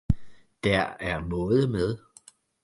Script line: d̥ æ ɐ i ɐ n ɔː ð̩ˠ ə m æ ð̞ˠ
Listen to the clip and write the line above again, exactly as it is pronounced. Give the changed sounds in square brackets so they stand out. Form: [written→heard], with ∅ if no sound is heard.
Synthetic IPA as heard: d̥ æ ɐ [i→æ] ɐ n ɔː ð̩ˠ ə m [æ→e] ð̞ˠ